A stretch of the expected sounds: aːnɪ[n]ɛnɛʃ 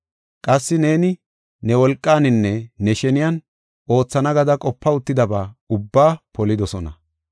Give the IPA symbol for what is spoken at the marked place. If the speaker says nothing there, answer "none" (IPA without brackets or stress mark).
nː